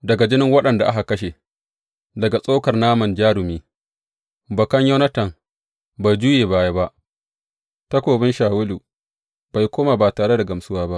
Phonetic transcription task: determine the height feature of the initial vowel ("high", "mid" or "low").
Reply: low